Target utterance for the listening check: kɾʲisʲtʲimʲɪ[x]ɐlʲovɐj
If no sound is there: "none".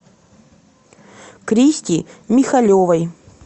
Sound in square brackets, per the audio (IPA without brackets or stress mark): x